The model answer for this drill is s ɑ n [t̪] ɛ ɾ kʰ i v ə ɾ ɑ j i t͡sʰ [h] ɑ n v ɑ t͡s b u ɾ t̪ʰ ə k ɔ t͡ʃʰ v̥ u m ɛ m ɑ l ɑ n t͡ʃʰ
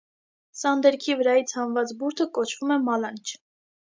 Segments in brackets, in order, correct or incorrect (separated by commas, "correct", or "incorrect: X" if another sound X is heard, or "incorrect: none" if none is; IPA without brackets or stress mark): incorrect: d̪, correct